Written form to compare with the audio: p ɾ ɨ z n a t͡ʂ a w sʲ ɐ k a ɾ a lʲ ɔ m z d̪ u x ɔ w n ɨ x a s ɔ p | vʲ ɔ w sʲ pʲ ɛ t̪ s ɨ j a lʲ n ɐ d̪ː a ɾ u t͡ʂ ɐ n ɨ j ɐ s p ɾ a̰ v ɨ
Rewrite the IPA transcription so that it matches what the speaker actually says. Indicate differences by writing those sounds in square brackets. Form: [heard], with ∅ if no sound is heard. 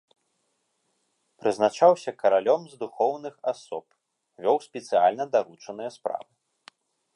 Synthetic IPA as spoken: p ɾ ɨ z n a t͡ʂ a w sʲ ɐ k [ɐ] ɾ a lʲ ɔ m z d̪ u x ɔ w n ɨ x a s ɔ p | vʲ ɔ w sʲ pʲ ɛ t̪ s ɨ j a lʲ n ɐ [d̪] a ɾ u t͡ʂ ɐ n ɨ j ɐ s p ɾ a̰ v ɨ